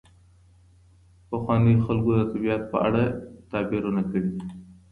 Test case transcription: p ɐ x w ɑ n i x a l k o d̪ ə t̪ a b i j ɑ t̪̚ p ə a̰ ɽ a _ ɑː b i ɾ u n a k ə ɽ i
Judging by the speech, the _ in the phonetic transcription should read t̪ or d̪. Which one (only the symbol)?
t̪